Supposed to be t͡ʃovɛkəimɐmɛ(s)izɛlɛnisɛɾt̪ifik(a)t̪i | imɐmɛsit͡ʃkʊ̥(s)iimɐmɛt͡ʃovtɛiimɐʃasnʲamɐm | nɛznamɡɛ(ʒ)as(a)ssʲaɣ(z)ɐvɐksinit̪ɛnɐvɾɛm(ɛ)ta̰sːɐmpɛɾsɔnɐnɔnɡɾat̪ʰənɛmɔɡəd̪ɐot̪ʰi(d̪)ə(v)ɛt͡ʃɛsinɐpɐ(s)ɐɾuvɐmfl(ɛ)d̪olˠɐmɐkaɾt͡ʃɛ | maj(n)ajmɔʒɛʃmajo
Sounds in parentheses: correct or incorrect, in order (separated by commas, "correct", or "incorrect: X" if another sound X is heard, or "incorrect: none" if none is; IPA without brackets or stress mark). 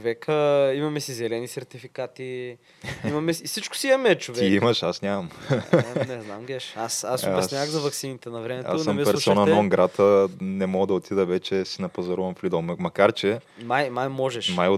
correct, correct, correct, incorrect: ʃ, correct, correct, correct, correct, correct, incorrect: z, incorrect: i, incorrect: m